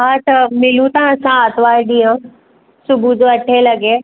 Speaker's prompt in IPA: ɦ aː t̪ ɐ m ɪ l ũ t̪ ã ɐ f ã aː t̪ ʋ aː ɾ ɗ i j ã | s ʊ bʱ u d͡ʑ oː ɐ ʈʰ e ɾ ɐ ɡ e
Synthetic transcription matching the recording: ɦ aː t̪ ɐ m ɪ l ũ t̪ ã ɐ s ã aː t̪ ʋ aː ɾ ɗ i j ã | s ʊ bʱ u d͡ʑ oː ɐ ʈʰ e l ɐ ɡ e